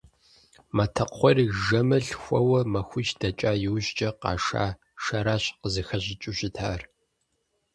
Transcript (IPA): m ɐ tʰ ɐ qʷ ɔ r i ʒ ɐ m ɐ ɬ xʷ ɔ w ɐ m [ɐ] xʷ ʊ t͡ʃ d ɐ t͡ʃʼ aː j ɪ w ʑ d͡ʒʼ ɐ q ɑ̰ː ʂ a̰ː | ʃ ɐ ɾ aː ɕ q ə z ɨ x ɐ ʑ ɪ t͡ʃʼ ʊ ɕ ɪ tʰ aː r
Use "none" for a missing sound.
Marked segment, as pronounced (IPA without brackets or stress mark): ɐ